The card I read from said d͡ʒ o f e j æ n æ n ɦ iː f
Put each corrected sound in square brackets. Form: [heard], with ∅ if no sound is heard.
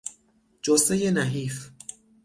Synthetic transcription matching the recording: d͡ʒ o [s] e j [e] n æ [∅] ɦ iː f